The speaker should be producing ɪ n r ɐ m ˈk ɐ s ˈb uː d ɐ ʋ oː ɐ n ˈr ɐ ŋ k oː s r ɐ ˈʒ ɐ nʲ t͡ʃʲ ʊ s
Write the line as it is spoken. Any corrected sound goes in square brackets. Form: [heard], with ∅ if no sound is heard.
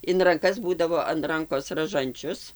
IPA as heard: ɪ n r ɐ [ŋ] ˈk ɐ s ˈb uː d ɐ ʋ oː ɐ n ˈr ɐ ŋ k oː s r ɐ ˈʒ ɐ nʲ t͡ʃʲ ʊ s